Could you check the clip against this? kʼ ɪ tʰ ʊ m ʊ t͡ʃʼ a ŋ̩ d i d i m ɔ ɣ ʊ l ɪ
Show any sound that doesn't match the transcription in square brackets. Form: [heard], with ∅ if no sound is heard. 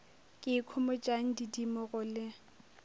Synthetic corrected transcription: kʼ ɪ [kʰ] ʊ m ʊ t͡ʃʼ a ŋ̩ d i d i m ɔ ɣ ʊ l ɪ